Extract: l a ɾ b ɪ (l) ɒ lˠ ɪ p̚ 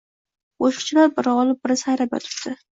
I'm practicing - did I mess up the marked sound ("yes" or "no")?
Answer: yes